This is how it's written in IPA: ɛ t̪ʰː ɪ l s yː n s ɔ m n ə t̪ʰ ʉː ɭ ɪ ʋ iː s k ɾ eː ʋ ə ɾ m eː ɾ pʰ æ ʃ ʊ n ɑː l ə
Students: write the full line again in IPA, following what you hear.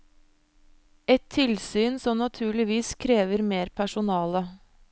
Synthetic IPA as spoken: ɛ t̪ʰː ɪ l s yː n s ɔ m n ɑ t̪ʰ ʉː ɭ ɪ ʋ iː s kʰ ɾ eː ʋ ə ɾ m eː ɾ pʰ æ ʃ ʊ n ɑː l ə